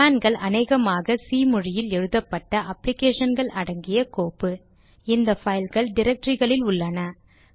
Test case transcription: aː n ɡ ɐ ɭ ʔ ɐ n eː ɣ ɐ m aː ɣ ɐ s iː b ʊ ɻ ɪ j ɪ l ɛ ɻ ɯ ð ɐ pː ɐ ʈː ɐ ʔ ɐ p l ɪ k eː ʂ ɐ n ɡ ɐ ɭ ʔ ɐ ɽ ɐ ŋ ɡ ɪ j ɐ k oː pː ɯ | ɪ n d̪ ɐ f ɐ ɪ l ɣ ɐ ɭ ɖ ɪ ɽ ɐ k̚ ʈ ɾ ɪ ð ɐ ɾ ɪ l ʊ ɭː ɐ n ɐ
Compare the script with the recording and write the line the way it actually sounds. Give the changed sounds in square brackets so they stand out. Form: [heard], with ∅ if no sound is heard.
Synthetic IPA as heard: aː n ɡ ɐ ɭ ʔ ɐ n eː ɣ ɐ m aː ɣ ɐ s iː [m] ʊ ɻ ɪ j ɪ l ɛ ɻ ɯ ð ɐ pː ɐ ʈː ɐ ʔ ɐ p l ɪ k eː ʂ ɐ n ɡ ɐ ɭ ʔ ɐ ɽ ɐ ŋ ɡ ɪ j ɐ k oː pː ɯ | ɪ n d̪ ɐ f ɐ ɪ l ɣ ɐ ɭ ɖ ɪ [ɾ] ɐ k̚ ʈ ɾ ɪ [ɣ] ɐ [ɭ] ɪ l ʊ ɭː ɐ n ɐ